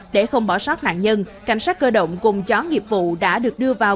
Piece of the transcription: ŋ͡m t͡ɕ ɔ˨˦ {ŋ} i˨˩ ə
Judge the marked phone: correct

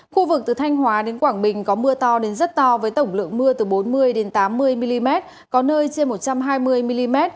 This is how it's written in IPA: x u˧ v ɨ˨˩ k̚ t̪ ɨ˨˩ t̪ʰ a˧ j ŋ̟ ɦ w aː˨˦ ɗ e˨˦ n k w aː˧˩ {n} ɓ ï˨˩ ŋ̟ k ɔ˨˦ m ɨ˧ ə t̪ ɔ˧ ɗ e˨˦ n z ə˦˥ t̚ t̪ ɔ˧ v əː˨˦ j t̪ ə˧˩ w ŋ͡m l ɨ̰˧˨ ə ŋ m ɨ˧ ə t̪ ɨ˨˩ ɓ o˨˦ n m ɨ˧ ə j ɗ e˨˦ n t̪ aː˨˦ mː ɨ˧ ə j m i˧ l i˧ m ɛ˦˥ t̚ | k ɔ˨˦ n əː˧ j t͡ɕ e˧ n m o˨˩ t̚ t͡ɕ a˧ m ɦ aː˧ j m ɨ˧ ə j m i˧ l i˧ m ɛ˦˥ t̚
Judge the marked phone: incorrect: ŋ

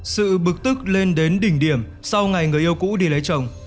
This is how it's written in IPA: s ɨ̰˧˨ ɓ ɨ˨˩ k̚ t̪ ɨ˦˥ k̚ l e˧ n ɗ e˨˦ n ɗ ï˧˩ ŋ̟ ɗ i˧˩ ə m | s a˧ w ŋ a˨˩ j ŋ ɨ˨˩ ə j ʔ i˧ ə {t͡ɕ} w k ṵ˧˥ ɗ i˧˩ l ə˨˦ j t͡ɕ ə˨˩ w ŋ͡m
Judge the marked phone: incorrect: none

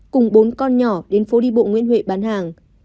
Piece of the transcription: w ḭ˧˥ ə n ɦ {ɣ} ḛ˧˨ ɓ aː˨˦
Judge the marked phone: incorrect: w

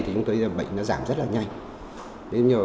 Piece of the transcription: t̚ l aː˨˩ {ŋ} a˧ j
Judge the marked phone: incorrect: ɲ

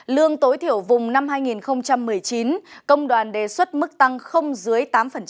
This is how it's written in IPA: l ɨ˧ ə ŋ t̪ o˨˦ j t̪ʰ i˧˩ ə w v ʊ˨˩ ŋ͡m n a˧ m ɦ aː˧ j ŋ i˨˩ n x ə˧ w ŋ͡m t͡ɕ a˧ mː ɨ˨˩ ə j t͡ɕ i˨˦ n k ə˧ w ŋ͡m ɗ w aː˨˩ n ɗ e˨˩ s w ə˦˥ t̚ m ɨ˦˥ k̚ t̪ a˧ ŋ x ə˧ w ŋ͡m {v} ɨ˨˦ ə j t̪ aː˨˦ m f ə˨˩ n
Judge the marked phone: incorrect: z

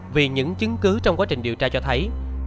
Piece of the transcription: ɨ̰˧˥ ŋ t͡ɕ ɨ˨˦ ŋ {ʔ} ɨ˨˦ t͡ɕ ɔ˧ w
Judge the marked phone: incorrect: k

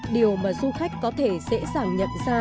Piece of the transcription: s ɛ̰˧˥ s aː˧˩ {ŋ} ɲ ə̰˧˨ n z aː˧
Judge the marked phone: correct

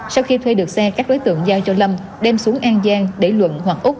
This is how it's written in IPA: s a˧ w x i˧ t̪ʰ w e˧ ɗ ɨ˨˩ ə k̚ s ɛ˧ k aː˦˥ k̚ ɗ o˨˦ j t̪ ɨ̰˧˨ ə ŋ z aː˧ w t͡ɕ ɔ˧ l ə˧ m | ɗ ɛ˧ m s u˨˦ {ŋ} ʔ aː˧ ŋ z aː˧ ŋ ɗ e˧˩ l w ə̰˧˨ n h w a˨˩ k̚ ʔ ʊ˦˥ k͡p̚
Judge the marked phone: correct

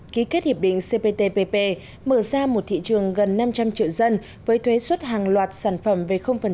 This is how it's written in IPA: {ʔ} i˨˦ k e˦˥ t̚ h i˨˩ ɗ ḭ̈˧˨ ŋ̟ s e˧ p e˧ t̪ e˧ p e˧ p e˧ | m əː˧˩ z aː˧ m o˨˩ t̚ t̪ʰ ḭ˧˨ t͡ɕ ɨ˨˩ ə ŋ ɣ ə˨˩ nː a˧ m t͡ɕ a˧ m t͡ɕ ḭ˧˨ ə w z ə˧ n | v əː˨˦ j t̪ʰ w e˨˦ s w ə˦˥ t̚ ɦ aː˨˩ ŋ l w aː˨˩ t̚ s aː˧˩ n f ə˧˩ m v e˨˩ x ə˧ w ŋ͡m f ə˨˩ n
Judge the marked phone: incorrect: k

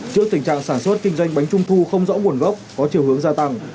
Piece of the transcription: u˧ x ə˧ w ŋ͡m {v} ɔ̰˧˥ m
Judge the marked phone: incorrect: z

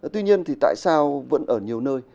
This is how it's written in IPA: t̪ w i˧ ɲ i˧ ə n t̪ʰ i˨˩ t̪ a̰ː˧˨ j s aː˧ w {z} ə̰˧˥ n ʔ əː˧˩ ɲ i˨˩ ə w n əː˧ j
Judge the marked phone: incorrect: v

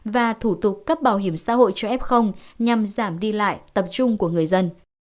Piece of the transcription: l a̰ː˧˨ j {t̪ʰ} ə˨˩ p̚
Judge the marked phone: incorrect: t̪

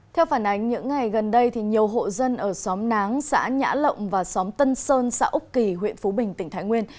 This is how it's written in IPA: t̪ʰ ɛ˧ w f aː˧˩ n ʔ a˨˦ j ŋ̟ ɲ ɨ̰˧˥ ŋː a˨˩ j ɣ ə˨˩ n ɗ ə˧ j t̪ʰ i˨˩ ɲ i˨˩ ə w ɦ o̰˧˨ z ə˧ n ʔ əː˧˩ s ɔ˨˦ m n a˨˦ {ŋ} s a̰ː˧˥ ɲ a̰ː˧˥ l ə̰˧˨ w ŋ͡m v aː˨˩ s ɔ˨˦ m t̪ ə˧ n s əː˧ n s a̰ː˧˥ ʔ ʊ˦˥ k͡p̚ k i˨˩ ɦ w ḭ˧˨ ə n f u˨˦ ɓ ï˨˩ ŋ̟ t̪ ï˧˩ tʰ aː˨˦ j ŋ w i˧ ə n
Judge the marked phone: correct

